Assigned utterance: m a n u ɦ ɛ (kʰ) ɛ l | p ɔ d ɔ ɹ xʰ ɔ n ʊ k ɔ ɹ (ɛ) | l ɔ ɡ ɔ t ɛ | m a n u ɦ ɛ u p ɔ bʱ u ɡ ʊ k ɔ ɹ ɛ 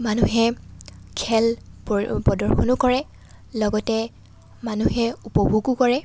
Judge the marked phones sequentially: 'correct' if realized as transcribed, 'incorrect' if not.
correct, correct

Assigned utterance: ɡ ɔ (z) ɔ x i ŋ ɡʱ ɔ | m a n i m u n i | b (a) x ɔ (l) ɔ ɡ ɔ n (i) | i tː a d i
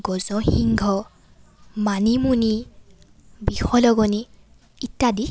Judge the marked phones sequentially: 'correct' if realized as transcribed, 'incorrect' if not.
correct, incorrect, correct, correct

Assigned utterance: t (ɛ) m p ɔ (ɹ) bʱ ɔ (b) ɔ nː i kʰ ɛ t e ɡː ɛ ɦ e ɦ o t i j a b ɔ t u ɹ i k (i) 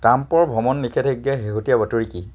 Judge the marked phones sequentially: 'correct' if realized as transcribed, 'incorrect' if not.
incorrect, correct, incorrect, correct

